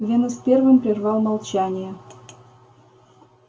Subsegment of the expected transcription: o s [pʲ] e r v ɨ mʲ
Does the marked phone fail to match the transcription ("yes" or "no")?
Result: no